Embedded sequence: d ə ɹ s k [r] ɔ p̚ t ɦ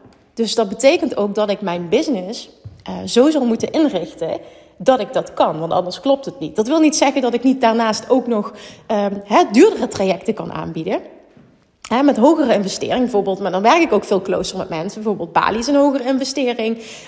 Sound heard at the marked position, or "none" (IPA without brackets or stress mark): l